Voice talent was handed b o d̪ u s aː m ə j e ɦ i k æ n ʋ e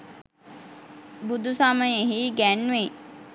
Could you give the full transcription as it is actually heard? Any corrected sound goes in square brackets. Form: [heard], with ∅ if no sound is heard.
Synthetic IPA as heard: b [u] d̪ u s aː m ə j e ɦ i [ɡ] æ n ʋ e